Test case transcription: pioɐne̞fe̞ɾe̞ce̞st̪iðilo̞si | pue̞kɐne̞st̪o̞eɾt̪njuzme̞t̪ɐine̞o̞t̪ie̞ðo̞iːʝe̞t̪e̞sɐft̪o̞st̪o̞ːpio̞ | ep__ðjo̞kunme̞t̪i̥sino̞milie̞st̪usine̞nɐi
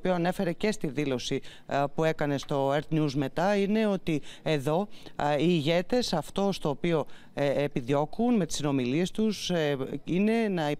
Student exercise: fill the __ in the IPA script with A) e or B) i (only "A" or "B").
B